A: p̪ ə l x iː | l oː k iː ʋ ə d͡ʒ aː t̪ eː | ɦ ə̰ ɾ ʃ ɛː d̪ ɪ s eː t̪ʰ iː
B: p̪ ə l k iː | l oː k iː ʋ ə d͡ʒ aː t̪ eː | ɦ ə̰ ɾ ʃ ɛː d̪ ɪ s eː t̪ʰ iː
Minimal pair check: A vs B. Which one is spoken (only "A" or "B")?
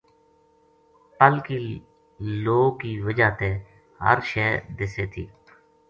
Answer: B